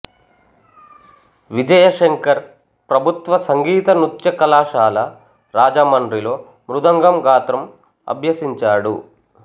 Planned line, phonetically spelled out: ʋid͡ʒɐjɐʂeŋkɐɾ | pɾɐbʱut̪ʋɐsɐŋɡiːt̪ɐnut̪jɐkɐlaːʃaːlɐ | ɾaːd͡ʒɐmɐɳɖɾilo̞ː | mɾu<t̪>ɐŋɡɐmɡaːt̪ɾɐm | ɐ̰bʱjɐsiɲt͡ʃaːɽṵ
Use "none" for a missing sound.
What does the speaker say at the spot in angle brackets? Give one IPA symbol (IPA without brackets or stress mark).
d̪